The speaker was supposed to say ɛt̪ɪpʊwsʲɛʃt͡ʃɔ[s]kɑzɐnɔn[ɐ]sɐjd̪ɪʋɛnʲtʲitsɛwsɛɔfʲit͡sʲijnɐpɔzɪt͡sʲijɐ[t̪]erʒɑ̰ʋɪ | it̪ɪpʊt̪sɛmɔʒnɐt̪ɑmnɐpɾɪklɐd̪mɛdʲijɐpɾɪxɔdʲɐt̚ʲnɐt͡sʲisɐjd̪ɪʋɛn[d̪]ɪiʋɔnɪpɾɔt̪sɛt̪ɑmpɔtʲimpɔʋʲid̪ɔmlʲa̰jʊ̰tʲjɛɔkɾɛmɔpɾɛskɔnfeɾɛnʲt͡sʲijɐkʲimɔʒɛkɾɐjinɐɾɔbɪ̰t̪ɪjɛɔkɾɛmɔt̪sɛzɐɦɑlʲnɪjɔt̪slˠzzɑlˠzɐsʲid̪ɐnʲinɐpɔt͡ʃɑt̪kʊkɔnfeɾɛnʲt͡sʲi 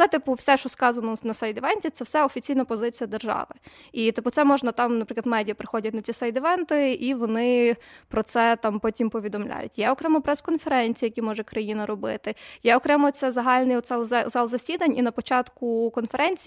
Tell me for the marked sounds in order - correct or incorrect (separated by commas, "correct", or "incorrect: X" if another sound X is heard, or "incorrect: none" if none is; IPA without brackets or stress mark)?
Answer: correct, correct, incorrect: d̪, incorrect: t̪